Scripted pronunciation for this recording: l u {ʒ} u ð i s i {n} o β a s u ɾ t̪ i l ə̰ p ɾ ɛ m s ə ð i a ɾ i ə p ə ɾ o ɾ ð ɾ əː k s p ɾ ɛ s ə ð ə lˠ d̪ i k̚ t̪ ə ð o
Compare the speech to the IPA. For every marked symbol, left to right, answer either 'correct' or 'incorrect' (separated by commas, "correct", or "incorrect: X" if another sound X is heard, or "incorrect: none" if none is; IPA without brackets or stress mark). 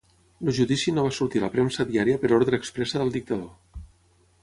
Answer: correct, correct